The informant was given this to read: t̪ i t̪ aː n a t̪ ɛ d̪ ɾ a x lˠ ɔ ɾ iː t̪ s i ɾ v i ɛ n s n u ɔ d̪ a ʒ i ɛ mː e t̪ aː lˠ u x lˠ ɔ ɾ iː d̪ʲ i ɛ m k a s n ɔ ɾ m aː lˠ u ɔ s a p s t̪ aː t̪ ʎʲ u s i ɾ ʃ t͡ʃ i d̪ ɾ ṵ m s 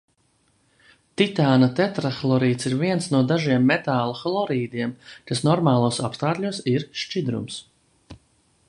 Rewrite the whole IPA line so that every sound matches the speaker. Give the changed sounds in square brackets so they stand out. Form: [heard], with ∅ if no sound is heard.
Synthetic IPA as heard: t̪ i t̪ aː n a t̪ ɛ [t̪] ɾ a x lˠ ɔ ɾ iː t̪ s i ɾ v i ɛ n s n u ɔ d̪ a ʒ i ɛ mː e t̪ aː lˠ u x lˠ ɔ ɾ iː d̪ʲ i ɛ m k a s n ɔ ɾ m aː lˠ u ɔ s a p s t̪ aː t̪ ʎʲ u s i ɾ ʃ t͡ʃ i d̪ ɾ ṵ m s